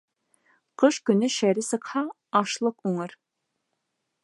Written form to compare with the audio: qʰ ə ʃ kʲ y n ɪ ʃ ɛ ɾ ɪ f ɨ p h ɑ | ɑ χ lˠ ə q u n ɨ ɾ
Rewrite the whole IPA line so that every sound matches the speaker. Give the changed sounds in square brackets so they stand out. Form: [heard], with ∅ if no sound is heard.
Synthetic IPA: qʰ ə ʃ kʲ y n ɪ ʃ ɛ ɾ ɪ [s] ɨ [q] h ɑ | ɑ [ʃ] lˠ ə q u [ŋ] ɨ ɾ